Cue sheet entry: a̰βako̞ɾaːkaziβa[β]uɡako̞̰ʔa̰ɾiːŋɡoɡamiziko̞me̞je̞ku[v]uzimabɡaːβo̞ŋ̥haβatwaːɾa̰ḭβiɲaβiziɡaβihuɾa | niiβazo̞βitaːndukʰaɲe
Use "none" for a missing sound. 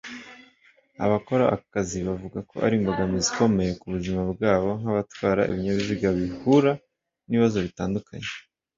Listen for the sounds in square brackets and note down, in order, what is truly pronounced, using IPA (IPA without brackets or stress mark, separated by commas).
v, β